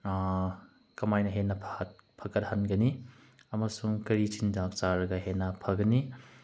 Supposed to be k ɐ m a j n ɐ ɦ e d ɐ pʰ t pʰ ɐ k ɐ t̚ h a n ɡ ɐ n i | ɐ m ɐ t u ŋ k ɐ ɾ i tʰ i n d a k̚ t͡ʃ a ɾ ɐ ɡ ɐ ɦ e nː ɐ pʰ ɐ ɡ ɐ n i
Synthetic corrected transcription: k ɐ m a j n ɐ ɦ e n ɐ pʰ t pʰ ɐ k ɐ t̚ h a n ɡ ɐ n i | ɐ m ɐ s u ŋ k ɐ ɾ i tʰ i n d a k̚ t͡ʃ a ɾ ɐ ɡ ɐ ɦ e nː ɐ pʰ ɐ ɡ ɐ n i